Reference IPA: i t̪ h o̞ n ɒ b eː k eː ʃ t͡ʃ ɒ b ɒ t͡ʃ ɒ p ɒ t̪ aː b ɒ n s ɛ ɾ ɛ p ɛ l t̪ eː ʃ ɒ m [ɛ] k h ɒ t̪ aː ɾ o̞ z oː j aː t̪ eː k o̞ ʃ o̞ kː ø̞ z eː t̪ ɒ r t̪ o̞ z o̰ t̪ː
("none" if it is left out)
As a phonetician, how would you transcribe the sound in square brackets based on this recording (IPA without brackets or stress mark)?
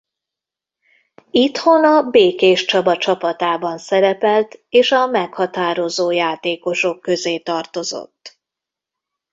ɛ